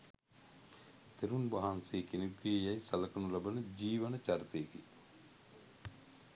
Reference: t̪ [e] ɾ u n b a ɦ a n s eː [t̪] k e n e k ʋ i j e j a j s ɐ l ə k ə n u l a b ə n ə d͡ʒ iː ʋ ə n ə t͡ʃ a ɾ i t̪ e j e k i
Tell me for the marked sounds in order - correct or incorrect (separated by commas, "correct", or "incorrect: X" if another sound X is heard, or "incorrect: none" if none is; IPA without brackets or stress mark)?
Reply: correct, incorrect: none